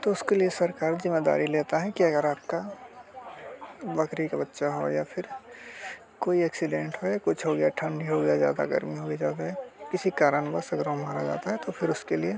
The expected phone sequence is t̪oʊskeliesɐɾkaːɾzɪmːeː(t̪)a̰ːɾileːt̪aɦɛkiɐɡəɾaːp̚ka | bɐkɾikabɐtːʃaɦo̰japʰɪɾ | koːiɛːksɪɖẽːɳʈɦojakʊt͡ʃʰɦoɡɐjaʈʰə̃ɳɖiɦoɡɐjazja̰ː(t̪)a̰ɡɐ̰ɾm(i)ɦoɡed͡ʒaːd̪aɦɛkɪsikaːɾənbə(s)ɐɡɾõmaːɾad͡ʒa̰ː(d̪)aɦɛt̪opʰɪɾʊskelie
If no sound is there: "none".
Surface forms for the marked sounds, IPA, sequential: d̪, d̪, i, s, t̪

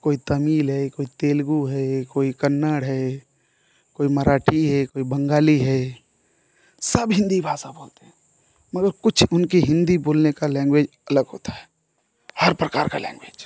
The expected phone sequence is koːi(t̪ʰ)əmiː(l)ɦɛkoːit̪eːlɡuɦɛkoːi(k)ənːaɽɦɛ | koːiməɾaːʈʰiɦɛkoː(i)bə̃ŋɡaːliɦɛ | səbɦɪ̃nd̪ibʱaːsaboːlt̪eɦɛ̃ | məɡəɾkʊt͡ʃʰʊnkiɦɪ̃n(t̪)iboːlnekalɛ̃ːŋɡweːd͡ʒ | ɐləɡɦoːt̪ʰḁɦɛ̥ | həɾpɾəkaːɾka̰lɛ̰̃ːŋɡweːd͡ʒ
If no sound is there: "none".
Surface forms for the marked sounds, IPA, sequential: t̪, l, k, i, d̪

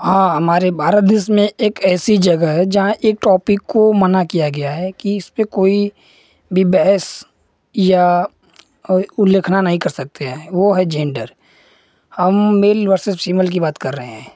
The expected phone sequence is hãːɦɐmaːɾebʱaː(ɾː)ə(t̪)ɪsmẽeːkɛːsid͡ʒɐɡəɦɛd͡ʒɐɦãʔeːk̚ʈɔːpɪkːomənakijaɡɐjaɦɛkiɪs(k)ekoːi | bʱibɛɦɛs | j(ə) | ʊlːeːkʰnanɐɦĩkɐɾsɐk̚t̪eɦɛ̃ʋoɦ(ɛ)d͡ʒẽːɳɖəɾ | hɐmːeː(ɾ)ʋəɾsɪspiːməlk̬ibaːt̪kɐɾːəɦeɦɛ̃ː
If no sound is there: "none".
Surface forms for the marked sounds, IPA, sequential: ɾ, d̪, p, a, ɛ, l

